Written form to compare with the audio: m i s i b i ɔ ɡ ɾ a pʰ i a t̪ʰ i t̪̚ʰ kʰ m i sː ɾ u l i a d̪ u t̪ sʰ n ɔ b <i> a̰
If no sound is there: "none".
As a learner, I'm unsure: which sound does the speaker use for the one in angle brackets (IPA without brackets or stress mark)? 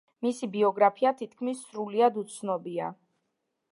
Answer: i